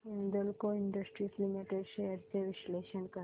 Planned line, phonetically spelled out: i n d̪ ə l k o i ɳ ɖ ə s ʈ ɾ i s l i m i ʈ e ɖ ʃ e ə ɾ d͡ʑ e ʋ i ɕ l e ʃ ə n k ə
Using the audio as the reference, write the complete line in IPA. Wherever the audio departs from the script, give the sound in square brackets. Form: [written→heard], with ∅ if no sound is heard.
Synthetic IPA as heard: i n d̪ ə l k o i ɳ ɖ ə s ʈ ɾ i s l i m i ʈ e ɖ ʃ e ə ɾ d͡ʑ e ʋ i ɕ l e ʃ ə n k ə